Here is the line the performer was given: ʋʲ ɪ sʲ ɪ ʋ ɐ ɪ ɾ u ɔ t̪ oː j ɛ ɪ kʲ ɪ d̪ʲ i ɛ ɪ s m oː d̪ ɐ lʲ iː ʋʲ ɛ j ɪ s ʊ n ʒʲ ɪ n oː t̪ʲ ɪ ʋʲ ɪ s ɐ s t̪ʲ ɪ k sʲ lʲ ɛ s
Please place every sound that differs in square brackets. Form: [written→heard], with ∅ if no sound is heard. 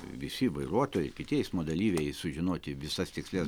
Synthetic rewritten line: ʋʲ ɪ sʲ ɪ ʋ ɐ ɪ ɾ u ɔ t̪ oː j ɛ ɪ kʲ ɪ [d̪ʲ→t̪ʲ] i ɛ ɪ s m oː d̪ ɐ lʲ iː ʋʲ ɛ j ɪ s ʊ [n→∅] ʒʲ ɪ n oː t̪ʲ ɪ ʋʲ ɪ s ɐ s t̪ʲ ɪ k sʲ lʲ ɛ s